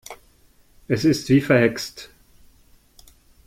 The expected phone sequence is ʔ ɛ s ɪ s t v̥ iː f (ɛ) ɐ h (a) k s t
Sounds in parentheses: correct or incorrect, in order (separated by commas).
correct, incorrect